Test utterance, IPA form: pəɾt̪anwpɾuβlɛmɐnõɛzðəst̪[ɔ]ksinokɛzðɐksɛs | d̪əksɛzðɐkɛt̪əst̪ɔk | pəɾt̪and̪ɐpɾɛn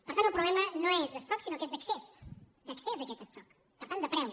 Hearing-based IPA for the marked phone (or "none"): ɔ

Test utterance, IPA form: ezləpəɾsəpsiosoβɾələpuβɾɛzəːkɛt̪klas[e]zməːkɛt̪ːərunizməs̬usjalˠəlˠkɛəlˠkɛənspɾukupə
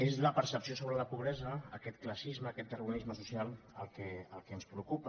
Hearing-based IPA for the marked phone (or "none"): i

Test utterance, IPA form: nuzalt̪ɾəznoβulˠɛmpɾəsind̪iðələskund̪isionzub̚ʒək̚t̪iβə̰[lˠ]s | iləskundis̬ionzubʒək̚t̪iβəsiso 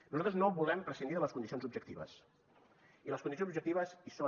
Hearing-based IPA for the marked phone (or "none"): none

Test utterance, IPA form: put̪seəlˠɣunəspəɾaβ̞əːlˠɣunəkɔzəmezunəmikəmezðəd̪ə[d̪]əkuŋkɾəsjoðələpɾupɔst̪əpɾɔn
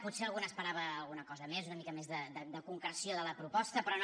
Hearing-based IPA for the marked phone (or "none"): d̪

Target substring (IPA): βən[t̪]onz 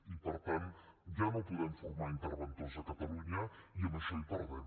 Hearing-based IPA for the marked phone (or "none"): t̪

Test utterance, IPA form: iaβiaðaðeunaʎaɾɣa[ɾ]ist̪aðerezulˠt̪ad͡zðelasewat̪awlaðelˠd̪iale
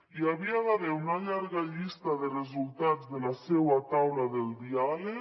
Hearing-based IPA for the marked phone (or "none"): ʎ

